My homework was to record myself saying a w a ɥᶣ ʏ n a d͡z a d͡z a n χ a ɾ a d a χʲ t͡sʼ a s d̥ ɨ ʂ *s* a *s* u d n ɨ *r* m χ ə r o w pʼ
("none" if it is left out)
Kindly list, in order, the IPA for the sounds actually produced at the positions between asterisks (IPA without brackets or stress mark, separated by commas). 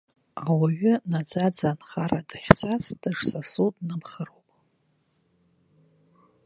s, s, none